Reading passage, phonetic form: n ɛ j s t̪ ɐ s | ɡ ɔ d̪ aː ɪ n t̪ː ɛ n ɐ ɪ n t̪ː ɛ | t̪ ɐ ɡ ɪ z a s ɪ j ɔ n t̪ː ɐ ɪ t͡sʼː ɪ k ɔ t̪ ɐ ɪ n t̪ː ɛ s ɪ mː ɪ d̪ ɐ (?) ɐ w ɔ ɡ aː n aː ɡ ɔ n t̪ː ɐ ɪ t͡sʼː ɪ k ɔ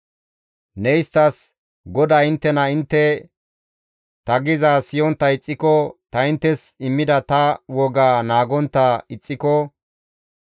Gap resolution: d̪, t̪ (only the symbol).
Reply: t̪